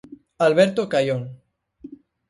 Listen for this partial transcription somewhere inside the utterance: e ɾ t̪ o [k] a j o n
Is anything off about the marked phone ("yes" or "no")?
no